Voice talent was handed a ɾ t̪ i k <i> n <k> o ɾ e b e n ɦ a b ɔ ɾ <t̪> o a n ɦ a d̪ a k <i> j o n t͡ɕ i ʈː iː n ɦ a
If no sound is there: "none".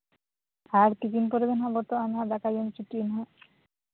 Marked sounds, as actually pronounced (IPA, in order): i, p, t̪, a

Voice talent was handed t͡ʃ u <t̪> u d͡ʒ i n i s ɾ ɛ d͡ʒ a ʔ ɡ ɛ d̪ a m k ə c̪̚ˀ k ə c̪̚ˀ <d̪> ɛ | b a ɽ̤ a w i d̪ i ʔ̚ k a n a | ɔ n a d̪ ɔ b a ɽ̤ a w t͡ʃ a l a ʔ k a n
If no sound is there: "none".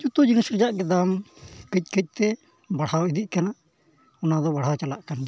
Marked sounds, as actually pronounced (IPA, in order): t̪, t̪

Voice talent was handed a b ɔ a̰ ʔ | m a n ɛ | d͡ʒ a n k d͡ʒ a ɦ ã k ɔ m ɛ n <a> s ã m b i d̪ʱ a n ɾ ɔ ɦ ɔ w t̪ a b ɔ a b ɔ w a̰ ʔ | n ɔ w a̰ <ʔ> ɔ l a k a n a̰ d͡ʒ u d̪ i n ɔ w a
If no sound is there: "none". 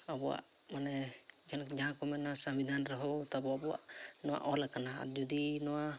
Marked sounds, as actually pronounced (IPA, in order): a, ʔ

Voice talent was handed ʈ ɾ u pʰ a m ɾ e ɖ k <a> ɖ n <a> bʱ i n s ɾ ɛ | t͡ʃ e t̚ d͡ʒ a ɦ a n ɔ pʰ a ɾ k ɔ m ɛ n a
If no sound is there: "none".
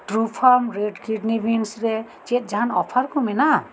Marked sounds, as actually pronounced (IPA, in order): i, i

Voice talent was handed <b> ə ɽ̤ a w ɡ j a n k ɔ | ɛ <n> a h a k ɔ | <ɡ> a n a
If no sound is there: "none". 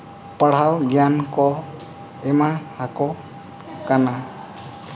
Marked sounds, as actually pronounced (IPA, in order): p, m, k

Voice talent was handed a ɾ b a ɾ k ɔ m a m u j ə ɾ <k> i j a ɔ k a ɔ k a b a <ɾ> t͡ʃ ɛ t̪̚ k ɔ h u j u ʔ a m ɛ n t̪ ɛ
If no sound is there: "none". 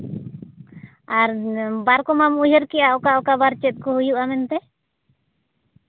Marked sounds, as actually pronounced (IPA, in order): k, ɾ

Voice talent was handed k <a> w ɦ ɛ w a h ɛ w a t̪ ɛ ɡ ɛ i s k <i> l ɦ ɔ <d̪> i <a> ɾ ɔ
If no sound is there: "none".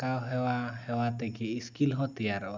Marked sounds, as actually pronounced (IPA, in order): a, i, t̪, a

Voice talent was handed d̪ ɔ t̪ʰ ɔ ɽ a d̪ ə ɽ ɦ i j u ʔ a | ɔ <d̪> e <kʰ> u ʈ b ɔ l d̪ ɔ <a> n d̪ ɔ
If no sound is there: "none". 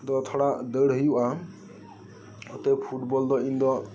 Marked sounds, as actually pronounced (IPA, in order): t̪, pʰ, i

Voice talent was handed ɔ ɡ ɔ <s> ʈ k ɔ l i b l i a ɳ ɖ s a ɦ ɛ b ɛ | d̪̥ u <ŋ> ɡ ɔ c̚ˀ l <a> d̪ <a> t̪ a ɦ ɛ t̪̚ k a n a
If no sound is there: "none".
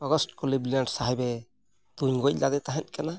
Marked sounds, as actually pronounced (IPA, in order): s, ɲ, a, ɛ

